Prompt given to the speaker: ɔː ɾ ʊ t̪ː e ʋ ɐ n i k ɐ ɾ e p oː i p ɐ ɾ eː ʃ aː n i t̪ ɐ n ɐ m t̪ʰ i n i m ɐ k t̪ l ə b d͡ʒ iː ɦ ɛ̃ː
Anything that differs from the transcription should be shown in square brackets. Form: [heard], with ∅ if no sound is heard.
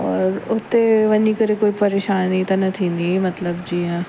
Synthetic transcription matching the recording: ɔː ɾ ʊ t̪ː e ʋ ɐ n i k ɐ ɾ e [k] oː i p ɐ ɾ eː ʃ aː n i t̪ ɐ n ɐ [∅] t̪ʰ i n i m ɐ [∅] t̪ l ə b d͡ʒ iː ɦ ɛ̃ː